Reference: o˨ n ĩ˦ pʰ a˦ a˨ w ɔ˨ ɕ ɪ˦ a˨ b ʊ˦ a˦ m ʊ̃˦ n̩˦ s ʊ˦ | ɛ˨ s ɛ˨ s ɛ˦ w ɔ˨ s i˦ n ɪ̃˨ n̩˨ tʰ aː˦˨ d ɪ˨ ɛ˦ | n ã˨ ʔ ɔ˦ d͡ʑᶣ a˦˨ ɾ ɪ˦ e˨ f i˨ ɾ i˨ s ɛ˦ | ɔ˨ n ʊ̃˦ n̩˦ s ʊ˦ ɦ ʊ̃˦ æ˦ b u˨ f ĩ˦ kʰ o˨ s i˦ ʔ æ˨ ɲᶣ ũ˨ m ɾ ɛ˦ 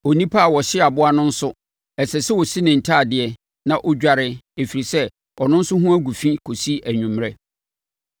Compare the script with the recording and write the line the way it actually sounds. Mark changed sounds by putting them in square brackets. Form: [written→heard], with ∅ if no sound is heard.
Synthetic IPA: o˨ n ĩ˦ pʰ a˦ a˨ w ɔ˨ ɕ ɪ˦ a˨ b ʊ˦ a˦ [m→n] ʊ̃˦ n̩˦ s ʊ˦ | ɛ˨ s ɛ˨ s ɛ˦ w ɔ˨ s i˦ n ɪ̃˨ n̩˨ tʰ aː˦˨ d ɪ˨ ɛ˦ | n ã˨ ʔ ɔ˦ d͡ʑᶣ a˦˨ ɾ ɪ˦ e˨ f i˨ ɾ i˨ s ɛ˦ | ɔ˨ n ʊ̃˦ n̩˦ s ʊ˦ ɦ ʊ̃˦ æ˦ [b→ɡ] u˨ f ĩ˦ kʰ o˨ s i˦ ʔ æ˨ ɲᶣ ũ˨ m ɾ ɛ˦